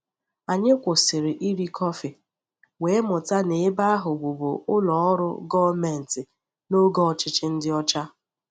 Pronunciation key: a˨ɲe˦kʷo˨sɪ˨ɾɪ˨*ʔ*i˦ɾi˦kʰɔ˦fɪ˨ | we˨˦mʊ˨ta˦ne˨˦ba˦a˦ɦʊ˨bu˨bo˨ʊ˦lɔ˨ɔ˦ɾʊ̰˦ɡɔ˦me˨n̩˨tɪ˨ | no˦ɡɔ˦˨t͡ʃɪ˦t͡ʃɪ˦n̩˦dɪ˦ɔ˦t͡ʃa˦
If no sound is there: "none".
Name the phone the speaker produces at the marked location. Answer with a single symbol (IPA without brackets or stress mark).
ʔ